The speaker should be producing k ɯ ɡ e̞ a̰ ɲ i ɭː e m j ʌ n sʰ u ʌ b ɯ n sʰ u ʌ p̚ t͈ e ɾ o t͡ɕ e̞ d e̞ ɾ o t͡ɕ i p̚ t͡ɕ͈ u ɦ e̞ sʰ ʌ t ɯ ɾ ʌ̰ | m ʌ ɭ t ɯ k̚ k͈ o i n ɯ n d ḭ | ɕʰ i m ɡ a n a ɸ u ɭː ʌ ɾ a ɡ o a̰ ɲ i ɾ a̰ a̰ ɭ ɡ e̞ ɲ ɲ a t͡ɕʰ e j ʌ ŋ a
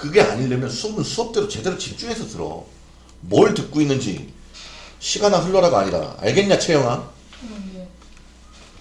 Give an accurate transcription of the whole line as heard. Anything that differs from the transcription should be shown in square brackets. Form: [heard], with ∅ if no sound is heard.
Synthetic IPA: k ɯ ɡ e̞ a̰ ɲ i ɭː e m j ʌ n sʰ u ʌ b ɯ n sʰ u ʌ p̚ t͈ e ɾ o t͡ɕ e̞ d e̞ ɾ o t͡ɕ i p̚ t͡ɕ͈ u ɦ e̞ sʰ ʌ t ɯ ɾ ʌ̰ | m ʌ ɭ t ɯ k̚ k͈ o i [nː] ɯ n [d͡ʑ] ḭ | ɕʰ i [∅] ɡ a n a ɸ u ɭː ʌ ɾ a ɡ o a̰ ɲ i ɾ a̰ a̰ ɭ ɡ e̞ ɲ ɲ a t͡ɕʰ e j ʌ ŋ a